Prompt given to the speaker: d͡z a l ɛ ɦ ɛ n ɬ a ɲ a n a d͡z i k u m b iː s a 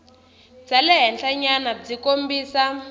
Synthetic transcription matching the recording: d͡z a l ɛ ɦ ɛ n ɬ a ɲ a n a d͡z i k o m b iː s a